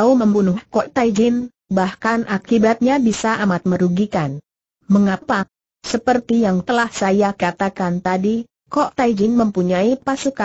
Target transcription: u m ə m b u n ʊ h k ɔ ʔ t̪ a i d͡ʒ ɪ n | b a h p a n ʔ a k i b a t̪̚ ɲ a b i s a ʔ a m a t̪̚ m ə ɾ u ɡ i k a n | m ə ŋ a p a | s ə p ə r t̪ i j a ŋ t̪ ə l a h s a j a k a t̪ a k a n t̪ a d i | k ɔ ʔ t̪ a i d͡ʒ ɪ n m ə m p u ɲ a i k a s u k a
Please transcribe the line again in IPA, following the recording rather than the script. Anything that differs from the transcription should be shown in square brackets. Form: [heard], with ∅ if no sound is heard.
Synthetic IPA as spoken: u m ə m b u n ʊ h k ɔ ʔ t̪ a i d͡ʒ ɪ n | b a h [k] a n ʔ a k i b a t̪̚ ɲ a b i s a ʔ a m a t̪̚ m ə ɾ u ɡ i k a n | m ə ŋ a p a | s ə p ə r t̪ i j a ŋ t̪ ə l a h s a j a k a t̪ a k a n t̪ a d i | k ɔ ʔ t̪ a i d͡ʒ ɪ n m ə m p u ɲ a i [p] a s u k a